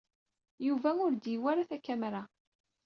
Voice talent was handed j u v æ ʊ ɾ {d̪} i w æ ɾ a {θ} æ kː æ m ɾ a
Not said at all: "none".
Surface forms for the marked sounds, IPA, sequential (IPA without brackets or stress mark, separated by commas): d̪, θ